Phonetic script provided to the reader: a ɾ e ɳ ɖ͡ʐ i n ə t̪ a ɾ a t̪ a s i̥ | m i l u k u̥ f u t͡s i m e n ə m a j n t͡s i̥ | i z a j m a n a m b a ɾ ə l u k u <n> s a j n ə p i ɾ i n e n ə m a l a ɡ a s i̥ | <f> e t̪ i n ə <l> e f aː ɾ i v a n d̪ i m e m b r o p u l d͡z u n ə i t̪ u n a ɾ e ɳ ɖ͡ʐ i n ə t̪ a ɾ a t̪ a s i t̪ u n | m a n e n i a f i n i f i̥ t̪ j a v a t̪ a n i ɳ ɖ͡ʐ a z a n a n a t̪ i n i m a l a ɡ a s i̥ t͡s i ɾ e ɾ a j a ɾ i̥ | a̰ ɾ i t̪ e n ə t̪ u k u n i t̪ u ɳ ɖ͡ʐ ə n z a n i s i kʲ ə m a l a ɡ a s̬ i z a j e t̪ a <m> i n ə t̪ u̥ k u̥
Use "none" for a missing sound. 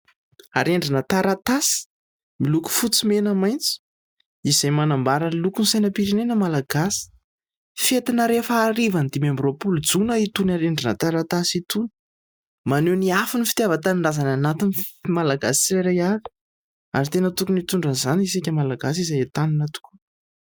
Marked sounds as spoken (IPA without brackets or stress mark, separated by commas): n, f, ɾ, n